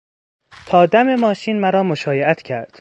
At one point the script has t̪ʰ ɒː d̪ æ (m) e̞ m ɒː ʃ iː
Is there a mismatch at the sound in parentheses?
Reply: no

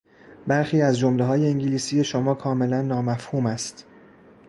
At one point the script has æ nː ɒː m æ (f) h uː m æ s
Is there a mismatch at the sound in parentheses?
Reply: no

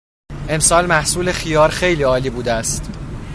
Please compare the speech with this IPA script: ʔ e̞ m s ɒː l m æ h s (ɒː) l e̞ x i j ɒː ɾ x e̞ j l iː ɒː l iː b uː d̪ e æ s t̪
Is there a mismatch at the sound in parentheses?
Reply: yes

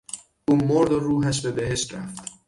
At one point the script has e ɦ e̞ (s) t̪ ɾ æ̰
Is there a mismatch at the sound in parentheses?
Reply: yes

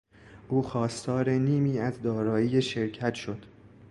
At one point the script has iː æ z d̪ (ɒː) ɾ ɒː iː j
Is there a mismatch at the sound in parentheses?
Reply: no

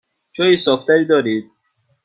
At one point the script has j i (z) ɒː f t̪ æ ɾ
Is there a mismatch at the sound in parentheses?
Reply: yes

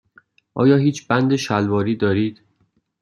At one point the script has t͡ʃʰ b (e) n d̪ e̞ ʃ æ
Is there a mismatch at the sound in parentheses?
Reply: yes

